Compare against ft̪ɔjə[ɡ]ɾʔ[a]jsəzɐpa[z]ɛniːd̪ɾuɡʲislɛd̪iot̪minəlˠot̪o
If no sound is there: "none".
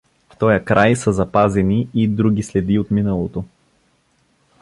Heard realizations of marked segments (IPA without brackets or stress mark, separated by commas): k, a, z